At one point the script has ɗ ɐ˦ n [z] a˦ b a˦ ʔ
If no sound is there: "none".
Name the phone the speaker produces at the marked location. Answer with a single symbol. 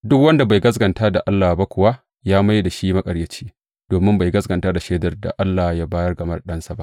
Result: s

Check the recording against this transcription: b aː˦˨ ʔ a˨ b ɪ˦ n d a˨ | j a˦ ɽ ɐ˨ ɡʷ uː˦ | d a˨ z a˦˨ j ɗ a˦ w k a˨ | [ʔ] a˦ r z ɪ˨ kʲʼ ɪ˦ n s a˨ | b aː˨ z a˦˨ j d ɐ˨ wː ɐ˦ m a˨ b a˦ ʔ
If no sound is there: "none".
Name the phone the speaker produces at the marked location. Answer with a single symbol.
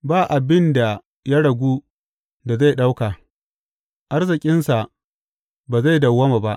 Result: ʔ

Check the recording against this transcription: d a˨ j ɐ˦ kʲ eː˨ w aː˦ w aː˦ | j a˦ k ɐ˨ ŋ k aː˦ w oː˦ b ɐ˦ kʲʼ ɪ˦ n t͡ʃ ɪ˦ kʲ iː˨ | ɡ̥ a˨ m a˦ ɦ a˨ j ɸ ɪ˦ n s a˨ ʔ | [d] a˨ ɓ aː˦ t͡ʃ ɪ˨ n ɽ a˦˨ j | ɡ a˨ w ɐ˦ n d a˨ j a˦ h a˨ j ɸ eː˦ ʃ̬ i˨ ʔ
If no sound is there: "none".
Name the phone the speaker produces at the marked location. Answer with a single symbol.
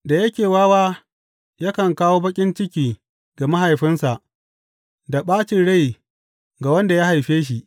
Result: d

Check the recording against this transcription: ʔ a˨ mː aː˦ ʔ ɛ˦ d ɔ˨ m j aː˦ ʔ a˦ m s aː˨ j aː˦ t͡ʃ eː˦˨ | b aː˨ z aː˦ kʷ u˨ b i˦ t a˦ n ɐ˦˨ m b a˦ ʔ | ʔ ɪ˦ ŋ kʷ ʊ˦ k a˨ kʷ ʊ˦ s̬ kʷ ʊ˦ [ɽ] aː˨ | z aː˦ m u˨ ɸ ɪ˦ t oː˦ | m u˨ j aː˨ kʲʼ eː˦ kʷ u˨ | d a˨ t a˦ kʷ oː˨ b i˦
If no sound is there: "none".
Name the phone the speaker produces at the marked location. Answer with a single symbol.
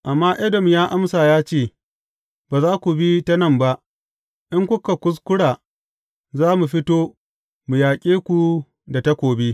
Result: ɽ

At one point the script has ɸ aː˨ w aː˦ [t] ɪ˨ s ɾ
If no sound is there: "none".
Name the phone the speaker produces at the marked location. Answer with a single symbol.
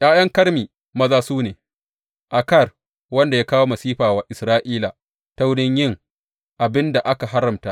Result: ʔ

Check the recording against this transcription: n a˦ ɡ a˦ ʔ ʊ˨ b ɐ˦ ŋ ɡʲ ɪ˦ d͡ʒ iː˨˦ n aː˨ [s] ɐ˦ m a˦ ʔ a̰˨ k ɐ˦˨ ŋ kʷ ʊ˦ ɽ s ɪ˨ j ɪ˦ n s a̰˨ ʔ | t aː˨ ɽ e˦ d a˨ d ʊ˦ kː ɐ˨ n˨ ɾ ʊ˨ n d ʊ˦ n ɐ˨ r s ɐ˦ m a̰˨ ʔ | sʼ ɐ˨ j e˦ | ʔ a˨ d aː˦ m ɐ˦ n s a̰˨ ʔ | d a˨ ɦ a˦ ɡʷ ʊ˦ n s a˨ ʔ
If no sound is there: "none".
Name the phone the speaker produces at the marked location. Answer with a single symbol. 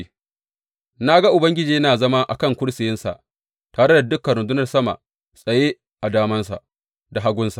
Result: z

